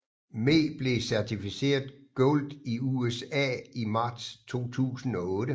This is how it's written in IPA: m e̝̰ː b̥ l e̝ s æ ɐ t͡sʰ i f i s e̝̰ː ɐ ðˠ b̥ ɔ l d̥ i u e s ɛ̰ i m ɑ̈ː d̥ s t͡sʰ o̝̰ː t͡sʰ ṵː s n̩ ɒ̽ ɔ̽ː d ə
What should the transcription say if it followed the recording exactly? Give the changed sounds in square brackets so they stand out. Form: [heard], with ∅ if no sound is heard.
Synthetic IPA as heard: m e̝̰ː b̥ l e̝ s æ ɐ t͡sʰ i f i s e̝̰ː ɐ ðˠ [ɡ̥] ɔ l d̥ i u e s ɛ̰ i m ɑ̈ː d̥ s t͡sʰ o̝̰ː t͡sʰ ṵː s n̩ ɒ̽ ɔ̽ː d ə